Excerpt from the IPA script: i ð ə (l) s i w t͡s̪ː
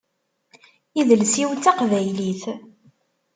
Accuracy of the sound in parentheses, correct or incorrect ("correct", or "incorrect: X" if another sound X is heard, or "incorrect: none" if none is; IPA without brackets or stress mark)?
correct